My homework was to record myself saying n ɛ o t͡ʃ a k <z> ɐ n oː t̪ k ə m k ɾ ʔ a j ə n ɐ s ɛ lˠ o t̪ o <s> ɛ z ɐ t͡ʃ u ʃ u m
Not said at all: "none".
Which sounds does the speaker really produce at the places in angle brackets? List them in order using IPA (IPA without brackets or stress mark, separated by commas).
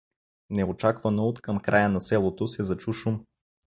v, s